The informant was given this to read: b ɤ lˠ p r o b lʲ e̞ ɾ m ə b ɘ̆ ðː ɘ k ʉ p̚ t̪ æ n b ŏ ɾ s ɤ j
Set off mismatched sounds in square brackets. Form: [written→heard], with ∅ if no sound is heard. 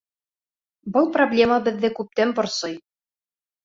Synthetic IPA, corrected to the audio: b ɤ lˠ p r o b lʲ e̞ [ɾ→∅] m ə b ɘ̆ ðː ɘ k ʉ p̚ t̪ æ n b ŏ ɾ s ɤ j